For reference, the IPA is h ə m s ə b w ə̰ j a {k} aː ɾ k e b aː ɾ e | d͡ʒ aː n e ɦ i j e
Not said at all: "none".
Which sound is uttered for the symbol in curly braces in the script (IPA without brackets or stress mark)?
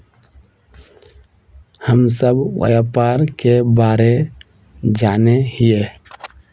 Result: p